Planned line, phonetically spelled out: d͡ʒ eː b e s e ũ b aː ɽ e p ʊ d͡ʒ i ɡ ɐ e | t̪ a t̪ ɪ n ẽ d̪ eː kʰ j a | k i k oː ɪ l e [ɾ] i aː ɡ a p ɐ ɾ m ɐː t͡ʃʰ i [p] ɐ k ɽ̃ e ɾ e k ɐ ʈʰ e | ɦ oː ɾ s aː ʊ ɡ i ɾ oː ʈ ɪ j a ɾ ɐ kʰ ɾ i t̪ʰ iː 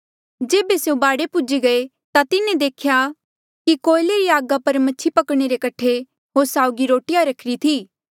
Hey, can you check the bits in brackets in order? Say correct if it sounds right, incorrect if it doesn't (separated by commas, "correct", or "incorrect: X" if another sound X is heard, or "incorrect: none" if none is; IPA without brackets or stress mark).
correct, correct